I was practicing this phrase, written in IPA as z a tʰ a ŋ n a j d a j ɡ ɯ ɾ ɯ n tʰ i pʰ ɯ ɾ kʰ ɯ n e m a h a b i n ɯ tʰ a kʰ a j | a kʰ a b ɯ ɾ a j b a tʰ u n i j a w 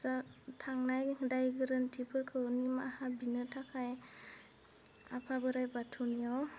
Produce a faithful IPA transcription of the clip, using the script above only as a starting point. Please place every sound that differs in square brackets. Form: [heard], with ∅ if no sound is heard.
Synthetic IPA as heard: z a tʰ a ŋ n a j d a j ɡ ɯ ɾ ɯ n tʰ i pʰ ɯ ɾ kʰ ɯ n [i] m a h a b i n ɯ tʰ a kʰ a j | a [pʰ] a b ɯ ɾ a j b a tʰ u n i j a w